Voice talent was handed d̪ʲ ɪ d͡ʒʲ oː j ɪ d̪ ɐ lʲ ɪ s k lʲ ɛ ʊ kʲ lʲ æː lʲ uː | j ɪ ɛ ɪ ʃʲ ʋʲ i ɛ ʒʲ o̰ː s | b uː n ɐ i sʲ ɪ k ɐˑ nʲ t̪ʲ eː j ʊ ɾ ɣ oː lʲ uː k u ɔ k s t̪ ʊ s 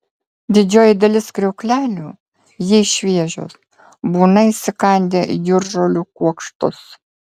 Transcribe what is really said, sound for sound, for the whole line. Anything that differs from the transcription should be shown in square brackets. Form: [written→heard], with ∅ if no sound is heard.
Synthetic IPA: d̪ʲ ɪ d͡ʒʲ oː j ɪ d̪ ɐ lʲ ɪ s k [lʲ→ɾʲ] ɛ ʊ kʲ lʲ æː lʲ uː | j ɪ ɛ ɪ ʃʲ ʋʲ i ɛ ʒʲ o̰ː s | b uː n ɐ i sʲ ɪ k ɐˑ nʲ [t̪ʲ→d̪ʲ] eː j ʊ ɾ [ɣ→ʒ] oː lʲ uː k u ɔ k [s→ʃ] t̪ ʊ s